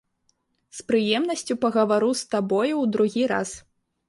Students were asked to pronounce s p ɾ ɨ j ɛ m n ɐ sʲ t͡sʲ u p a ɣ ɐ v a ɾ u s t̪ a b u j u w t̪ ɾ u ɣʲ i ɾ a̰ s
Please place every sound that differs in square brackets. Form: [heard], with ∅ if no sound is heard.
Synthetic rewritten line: s p ɾ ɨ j ɛ m n ɐ sʲ t͡sʲ u p [ɐ] ɣ ɐ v a ɾ u s t̪ a b [ɔ] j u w [d̪] ɾ u ɣʲ i ɾ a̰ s